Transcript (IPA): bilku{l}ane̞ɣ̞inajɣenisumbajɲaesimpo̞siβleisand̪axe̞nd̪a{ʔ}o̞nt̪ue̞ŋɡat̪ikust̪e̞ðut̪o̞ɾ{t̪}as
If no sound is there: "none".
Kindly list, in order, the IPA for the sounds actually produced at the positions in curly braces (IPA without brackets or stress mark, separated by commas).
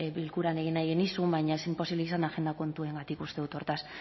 ɾ, k, t̪